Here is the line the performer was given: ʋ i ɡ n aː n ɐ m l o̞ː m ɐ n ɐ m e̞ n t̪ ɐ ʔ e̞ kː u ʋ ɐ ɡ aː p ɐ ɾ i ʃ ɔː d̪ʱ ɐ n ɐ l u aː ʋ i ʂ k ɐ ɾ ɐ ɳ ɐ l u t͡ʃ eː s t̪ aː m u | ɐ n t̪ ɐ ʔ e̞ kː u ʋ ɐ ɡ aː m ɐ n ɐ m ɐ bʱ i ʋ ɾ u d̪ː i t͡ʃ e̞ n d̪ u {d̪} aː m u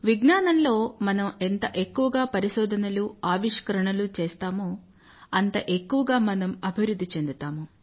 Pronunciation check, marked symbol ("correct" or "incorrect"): incorrect